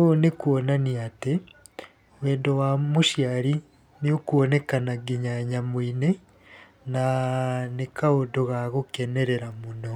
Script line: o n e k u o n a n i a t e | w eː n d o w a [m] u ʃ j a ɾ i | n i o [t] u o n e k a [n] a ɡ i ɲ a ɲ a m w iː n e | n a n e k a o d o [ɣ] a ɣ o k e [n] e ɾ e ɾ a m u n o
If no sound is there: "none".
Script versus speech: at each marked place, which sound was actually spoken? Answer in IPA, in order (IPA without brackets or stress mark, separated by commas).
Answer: m, k, n, ɣ, n